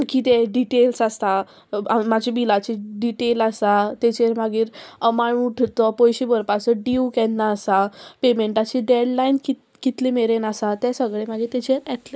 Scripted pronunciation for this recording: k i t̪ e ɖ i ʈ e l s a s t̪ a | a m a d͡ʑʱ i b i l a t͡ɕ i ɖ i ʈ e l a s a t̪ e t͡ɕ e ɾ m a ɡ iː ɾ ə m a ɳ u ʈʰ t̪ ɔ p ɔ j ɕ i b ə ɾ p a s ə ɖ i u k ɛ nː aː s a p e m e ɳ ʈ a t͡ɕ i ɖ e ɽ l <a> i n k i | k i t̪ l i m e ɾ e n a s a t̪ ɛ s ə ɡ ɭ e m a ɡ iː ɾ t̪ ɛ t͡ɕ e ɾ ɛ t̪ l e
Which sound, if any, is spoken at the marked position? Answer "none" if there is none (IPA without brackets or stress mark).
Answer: a